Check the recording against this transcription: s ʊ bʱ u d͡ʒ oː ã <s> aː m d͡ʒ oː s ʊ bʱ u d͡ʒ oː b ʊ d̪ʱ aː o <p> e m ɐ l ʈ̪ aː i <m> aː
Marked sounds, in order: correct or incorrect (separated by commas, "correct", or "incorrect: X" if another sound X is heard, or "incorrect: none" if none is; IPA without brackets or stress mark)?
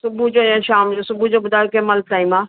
incorrect: ʃ, incorrect: k, correct